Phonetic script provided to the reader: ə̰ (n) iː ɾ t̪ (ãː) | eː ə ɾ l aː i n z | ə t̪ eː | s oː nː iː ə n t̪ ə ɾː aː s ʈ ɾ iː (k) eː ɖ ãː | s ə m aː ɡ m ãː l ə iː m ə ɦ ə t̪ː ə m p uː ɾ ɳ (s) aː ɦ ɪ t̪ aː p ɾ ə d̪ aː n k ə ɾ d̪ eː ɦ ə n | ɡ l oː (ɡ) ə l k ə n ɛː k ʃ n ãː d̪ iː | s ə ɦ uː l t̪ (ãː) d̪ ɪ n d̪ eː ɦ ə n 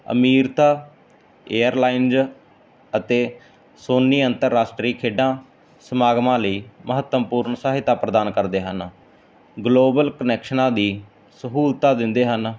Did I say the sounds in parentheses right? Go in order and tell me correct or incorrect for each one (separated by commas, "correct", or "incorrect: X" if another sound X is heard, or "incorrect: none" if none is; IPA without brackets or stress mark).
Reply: incorrect: m, incorrect: aː, incorrect: kʰ, correct, incorrect: b, incorrect: aː